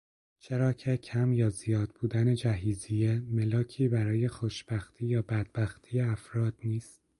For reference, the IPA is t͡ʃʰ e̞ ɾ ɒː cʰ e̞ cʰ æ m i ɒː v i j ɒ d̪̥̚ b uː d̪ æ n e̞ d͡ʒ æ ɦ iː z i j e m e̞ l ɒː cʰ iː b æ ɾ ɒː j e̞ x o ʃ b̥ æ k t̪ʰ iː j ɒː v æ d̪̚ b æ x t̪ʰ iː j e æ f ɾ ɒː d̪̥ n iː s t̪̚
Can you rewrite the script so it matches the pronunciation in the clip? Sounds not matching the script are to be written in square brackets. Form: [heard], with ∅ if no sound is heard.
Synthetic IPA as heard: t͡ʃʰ e̞ ɾ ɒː cʰ e̞ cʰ æ m [j] ɒː [z] i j [ɒː] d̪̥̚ b uː d̪ æ n e̞ d͡ʒ æ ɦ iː z i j e m e̞ l ɒː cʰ iː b æ ɾ ɒː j e̞ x o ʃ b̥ æ [x] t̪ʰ iː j ɒː [b] æ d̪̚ b æ x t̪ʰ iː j e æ f ɾ ɒː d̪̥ n iː s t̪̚